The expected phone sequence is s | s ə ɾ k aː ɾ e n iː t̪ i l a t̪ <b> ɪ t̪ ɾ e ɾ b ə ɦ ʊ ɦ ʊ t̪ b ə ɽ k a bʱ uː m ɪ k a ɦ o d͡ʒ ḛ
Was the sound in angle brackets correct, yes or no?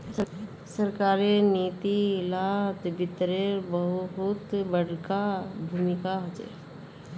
yes